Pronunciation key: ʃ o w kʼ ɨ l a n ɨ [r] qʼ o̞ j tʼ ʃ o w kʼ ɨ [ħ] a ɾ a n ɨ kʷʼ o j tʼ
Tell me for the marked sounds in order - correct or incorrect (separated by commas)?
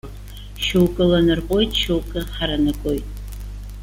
correct, correct